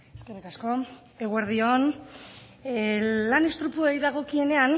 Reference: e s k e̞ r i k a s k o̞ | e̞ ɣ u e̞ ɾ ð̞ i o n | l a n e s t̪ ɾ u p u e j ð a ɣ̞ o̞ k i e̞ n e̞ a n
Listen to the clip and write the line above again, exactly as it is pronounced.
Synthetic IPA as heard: e s k e̞ r i k a s k o̞ | e̞ ɣ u e̞ ɾ ð̞ i o n | l a n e s t̪ ɾ u p u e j ð a ɣ̞ o̞ k i e̞ n e̞ a n